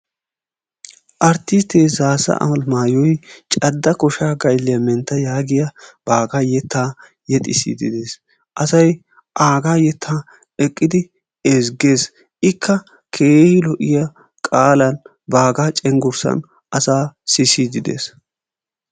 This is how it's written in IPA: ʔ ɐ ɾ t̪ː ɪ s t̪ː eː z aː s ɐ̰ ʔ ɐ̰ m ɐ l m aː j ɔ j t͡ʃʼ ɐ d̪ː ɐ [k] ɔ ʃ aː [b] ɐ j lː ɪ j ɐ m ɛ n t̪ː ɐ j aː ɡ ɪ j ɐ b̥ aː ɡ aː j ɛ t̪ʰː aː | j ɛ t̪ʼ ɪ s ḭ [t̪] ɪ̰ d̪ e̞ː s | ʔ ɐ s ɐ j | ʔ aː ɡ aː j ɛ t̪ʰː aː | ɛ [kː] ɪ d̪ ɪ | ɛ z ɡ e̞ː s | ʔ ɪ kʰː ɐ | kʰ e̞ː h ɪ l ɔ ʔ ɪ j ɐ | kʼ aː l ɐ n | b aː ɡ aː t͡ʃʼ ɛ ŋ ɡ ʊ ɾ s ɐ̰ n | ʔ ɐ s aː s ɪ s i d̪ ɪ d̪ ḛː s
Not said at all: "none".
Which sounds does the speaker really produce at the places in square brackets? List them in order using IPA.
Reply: k, ɡ, d̪, kʼː

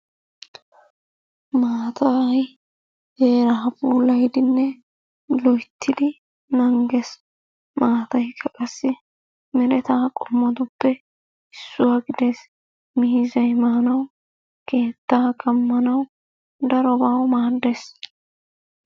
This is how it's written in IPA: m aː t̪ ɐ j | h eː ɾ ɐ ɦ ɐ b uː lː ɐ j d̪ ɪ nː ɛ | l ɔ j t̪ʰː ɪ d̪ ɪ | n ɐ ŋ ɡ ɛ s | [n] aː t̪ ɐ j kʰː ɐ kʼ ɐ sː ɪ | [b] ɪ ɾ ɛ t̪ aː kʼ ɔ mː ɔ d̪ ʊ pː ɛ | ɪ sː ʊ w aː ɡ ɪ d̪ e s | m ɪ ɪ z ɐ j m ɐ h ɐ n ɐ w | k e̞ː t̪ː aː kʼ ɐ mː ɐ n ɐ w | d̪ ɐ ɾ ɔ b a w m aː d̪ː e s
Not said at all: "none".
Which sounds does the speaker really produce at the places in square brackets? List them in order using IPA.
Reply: m, m

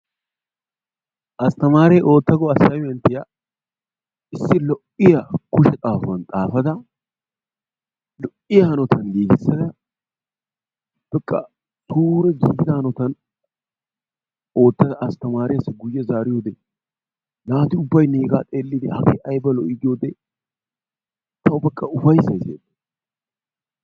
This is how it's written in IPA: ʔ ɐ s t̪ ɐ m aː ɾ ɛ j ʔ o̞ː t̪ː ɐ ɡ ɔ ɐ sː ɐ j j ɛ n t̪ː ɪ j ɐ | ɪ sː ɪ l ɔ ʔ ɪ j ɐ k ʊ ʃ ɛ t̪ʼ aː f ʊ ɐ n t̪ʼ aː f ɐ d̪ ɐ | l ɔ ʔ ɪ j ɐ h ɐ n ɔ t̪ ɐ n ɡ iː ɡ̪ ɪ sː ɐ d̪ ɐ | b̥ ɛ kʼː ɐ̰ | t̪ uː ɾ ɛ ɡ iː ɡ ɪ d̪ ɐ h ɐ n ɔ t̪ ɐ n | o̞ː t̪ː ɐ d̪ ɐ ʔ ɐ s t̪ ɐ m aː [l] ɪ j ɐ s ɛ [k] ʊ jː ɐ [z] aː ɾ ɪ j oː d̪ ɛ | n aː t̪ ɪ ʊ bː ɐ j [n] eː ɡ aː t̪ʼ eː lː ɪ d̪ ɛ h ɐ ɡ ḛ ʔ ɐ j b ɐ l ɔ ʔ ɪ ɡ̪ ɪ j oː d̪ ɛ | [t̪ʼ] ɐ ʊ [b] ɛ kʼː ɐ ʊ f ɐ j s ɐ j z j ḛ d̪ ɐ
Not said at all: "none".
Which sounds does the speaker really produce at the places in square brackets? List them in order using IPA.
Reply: ɾ, ɡ, z, n, t̪, b

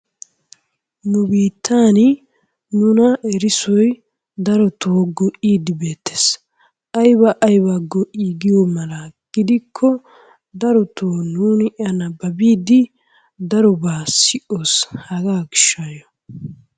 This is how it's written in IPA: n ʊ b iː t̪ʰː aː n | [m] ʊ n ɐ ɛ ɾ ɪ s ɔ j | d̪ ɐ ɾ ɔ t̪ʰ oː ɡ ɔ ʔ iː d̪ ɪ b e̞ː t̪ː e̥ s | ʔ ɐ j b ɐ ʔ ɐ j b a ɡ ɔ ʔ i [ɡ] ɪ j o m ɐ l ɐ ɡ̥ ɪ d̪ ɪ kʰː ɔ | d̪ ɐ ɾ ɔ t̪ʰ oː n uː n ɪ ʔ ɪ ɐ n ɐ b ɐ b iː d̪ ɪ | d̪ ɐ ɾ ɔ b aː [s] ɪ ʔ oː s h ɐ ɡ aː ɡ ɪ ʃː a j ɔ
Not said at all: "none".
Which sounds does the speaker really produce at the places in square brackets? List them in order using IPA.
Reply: n, ɡ, s

